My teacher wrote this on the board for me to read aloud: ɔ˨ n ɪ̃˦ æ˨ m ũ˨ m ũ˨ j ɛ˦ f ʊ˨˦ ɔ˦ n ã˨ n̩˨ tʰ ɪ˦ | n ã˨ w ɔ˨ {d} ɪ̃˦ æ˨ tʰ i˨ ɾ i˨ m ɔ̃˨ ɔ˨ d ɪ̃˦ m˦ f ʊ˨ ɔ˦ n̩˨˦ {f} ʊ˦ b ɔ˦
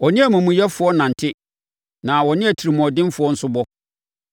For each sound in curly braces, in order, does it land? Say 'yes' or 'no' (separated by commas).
no, no